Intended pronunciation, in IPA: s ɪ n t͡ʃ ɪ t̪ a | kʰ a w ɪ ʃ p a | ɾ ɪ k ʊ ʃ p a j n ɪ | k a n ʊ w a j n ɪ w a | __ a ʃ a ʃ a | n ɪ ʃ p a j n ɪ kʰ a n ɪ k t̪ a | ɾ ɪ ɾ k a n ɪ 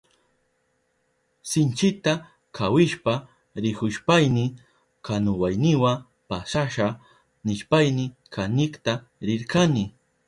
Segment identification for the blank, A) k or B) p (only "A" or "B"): B